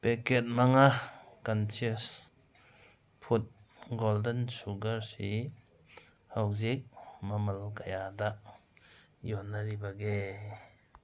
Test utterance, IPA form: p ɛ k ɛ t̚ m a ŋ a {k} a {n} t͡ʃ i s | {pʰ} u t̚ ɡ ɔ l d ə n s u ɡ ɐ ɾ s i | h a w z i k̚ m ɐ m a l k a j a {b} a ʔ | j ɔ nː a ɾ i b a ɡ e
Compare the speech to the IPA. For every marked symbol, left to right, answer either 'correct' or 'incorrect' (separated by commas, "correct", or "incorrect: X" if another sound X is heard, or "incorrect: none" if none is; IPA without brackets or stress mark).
correct, correct, correct, incorrect: d